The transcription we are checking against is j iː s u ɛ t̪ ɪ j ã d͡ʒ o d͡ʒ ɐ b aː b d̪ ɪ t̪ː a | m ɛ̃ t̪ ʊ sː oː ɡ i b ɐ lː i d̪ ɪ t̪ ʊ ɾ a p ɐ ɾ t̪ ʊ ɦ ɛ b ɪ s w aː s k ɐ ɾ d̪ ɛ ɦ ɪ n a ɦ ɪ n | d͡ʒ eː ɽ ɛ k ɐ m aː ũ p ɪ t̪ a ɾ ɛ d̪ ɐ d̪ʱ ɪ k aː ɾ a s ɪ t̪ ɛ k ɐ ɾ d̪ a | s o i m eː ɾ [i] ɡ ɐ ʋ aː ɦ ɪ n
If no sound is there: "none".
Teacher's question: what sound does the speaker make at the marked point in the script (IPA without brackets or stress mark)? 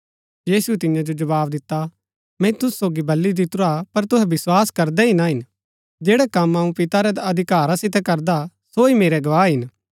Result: ɛ